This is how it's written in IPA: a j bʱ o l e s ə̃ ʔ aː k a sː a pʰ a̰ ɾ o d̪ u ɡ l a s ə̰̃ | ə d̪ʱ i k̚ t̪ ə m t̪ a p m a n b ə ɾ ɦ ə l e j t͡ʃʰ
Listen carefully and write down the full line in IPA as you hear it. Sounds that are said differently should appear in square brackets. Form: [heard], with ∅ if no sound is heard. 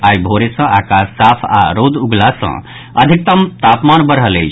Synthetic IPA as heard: a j bʱ o [ɾ] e s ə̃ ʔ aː k a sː a pʰ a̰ ɾ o d̪ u ɡ l a s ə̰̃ | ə d̪ʱ i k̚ t̪ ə m t̪ a p m a n b ə ɾ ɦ ə l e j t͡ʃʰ